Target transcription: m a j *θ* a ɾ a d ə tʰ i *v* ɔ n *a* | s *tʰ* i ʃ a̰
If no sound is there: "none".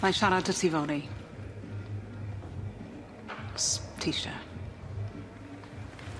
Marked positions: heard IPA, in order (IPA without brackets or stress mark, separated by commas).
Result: ʃ, v, i, tʰ